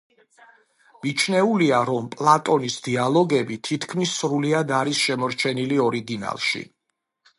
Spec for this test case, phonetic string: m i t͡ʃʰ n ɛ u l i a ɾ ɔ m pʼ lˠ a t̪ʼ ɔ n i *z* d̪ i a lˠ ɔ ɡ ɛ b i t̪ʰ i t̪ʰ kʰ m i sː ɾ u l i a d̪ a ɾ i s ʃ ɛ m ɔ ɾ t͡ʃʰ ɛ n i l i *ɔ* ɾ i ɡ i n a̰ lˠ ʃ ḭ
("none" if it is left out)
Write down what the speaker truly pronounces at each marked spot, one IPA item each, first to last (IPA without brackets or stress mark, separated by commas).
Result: s, ɔ